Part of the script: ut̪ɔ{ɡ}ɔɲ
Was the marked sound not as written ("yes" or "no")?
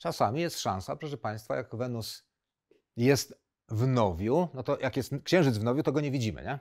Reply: no